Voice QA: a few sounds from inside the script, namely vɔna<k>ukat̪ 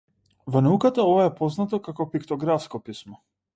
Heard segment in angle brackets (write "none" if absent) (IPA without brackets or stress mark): none